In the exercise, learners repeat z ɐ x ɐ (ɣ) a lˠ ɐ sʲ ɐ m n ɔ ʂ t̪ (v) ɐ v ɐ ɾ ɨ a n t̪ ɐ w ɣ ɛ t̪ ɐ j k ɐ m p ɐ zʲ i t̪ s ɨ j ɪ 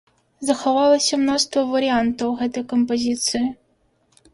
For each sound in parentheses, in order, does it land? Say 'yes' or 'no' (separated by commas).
no, yes